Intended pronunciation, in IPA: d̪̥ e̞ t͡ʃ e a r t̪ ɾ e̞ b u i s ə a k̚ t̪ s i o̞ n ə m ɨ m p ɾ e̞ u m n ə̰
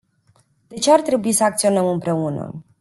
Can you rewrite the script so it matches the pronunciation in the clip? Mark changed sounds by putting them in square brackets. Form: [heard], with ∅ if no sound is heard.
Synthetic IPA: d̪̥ e̞ t͡ʃ e a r t̪ ɾ e̞ b u i s ə a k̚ t̪ s i o̞ n ə m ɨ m p ɾ e̞ u [∅] n ə̰